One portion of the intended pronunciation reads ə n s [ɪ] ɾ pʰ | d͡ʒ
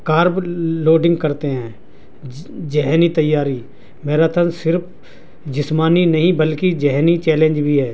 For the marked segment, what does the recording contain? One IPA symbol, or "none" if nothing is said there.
ɪ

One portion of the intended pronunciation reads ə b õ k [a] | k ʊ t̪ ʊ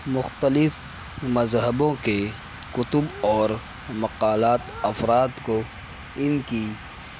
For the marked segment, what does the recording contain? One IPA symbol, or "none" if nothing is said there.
e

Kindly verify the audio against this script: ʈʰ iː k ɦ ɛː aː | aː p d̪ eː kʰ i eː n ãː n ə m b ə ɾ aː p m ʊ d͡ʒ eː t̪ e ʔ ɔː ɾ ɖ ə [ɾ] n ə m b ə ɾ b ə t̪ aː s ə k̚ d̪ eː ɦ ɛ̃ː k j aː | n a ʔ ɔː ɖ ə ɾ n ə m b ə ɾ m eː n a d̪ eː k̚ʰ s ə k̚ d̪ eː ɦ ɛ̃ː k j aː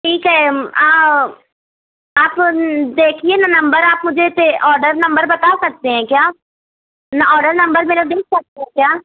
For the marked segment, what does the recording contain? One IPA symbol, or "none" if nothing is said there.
ɾ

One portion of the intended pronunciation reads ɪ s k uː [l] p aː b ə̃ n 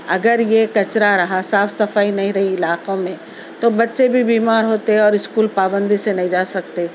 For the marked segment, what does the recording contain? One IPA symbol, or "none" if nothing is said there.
l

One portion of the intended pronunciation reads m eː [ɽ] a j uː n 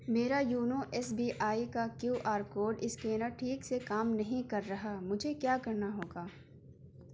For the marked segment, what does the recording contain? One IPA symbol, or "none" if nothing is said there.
ɾ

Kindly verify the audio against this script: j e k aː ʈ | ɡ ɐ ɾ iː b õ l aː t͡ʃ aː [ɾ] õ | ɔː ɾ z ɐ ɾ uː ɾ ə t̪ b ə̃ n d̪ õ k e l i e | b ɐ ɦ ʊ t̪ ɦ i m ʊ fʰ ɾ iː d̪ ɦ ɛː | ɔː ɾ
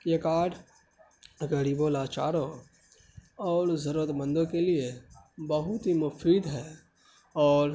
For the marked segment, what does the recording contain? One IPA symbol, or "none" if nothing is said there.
ɾ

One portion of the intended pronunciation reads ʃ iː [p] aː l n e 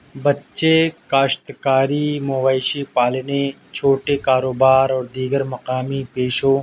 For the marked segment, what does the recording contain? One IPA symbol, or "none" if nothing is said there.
p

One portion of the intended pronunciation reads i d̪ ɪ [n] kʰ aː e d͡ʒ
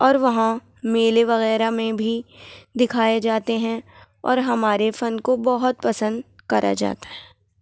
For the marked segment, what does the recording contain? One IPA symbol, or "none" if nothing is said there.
none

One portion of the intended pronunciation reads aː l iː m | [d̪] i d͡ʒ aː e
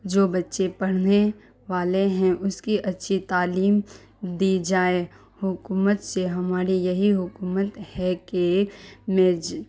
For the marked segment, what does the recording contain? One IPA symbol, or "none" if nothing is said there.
d̪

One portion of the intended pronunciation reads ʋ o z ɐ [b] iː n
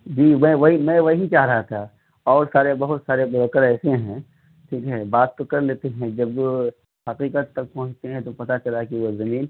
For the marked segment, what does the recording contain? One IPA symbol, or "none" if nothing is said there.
m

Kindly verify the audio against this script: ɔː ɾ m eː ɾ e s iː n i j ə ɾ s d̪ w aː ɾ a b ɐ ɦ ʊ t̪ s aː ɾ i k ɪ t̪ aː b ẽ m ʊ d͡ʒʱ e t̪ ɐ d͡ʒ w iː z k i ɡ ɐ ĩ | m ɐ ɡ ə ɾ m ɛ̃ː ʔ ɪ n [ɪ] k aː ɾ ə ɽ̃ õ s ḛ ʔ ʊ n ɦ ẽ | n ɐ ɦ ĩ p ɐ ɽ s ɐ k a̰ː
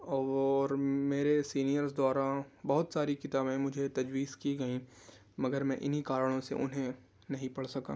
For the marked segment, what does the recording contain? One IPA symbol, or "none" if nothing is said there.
i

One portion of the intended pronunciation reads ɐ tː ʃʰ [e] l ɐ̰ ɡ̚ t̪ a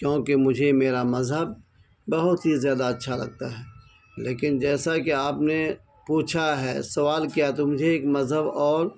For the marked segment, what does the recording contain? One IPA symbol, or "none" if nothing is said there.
a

